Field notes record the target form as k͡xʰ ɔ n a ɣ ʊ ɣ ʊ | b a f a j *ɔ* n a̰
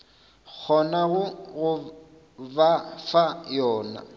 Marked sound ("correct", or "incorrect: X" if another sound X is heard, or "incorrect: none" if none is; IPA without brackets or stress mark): incorrect: ɔː